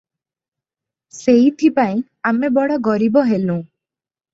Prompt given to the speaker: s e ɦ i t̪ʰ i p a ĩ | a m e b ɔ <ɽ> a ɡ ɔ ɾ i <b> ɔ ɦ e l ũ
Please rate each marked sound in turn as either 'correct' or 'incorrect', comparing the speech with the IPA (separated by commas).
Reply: correct, correct